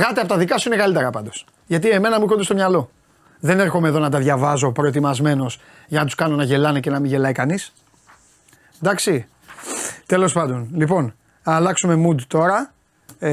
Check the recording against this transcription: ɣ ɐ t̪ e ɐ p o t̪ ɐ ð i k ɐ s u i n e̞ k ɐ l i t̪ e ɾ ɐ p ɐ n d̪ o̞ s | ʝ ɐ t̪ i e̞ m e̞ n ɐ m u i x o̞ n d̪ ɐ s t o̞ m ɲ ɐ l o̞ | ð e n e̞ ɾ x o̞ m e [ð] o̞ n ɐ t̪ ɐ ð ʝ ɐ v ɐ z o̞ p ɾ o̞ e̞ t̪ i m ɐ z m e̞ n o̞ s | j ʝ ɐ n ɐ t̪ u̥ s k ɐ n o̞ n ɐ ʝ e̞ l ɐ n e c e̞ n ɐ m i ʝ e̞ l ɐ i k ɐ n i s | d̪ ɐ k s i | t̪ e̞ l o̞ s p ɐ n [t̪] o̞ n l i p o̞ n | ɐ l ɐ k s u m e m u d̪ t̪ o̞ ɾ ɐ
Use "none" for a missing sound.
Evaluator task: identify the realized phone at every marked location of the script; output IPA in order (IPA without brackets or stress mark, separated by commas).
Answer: ð, d̪